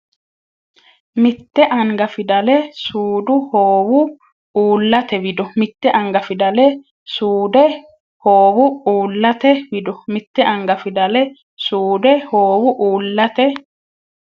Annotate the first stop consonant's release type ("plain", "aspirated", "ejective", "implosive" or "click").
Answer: plain